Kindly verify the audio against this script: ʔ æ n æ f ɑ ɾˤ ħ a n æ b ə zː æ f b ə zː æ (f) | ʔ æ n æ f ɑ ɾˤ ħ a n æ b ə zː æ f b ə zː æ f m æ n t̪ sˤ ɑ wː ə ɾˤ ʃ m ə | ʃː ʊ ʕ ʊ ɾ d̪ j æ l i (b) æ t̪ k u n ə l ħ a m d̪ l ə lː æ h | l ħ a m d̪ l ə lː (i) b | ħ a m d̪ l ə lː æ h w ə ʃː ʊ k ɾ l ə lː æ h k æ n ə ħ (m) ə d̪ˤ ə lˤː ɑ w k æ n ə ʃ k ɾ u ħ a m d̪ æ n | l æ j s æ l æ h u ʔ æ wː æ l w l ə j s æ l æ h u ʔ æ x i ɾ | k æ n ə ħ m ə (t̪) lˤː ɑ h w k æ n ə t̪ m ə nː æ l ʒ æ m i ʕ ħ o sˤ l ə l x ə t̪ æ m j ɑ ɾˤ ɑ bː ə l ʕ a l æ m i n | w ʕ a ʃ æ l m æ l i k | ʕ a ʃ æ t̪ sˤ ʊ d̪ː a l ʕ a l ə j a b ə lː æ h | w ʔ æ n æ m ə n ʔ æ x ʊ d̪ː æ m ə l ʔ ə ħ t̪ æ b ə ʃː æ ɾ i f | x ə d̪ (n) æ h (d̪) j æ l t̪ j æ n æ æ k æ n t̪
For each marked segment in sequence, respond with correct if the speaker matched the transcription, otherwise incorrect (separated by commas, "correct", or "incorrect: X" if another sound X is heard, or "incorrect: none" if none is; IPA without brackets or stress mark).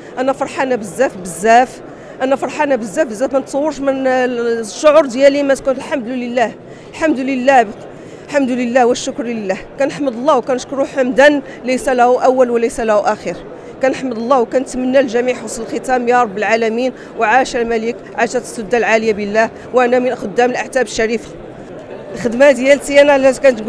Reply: correct, incorrect: m, incorrect: æ, correct, incorrect: d̪, incorrect: m, correct